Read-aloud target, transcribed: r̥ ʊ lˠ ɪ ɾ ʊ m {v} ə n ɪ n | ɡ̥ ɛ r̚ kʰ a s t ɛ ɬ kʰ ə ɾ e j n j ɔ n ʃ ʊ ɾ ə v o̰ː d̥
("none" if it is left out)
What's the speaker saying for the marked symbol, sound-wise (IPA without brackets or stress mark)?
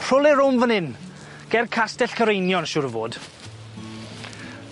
v